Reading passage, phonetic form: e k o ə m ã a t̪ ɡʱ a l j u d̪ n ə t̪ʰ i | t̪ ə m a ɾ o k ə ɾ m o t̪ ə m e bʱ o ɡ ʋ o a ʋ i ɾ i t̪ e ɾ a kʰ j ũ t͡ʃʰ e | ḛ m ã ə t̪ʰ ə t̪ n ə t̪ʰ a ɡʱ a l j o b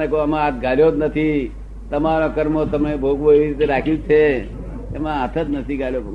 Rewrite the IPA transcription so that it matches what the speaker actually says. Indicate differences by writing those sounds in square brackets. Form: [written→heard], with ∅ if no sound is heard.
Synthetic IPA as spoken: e k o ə m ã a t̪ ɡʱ a l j [u→o] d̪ n ə t̪ʰ i | t̪ ə m a ɾ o k ə ɾ m o t̪ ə m e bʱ o ɡ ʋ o [a→e] ʋ i ɾ i t̪ e ɾ a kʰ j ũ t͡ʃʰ e | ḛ m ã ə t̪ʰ ə t̪ n ə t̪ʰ [a→i] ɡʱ a l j o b